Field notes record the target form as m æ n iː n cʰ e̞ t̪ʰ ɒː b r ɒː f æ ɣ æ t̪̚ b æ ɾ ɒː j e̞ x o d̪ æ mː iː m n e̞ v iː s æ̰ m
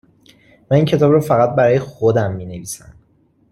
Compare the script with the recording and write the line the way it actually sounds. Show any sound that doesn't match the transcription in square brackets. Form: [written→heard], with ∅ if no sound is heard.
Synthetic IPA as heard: m æ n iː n cʰ e̞ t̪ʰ ɒː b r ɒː f æ ɣ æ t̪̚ b æ ɾ ɒː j e̞ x o d̪ æ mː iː [m→∅] n e̞ v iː s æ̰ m

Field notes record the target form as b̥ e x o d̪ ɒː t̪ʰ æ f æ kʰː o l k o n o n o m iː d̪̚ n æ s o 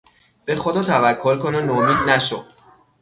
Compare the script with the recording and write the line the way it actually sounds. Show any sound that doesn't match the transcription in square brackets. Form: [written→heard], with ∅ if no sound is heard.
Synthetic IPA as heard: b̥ e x o d̪ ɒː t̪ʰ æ [f→v] æ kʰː o l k o n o n o m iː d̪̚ n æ [s→ʃ] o

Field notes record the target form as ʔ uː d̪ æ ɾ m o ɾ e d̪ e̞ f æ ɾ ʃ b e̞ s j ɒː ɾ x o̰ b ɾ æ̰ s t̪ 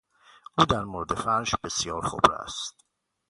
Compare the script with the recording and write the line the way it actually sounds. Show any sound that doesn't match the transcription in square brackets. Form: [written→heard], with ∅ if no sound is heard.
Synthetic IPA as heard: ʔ uː d̪ æ ɾ m o ɾ e d̪ e̞ f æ ɾ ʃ b e̞ s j ɒː ɾ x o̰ b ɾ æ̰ s t̪

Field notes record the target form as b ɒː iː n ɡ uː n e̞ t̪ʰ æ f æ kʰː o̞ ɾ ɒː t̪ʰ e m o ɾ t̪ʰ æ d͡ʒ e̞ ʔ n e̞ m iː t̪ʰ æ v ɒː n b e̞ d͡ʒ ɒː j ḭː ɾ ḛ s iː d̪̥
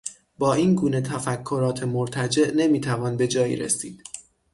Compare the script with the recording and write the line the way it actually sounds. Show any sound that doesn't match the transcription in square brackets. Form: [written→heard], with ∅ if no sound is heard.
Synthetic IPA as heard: b ɒː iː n ɡ uː n e̞ t̪ʰ æ f æ kʰː o̞ ɾ ɒː t̪ʰ e m o ɾ t̪ʰ æ d͡ʒ e̞ ʔ n e̞ m iː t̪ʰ æ v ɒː n b e̞ d͡ʒ ɒː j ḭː ɾ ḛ s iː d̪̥

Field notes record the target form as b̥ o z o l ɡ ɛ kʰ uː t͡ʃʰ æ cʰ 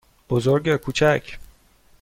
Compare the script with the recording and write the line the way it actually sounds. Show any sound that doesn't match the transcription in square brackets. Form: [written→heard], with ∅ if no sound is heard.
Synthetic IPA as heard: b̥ o z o [l→ɾ] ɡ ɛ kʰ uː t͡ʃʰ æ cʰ

